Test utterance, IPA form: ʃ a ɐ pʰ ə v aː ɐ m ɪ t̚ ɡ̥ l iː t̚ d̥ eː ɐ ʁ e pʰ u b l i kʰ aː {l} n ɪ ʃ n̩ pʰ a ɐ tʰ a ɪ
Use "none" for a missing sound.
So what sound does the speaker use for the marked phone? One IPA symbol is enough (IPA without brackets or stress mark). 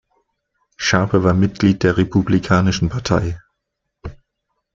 none